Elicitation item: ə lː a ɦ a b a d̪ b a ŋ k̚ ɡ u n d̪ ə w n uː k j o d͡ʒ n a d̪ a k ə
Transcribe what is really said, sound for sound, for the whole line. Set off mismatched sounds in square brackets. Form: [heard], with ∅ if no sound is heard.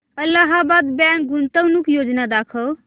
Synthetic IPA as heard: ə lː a ɦ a b a d̪ b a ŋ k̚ ɡ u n [t̪] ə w n [u] k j o d͡ʒ n a d̪ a [kʰ] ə